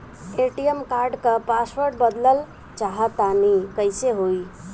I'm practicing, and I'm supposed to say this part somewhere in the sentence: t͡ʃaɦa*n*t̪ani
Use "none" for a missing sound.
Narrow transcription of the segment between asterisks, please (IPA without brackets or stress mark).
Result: none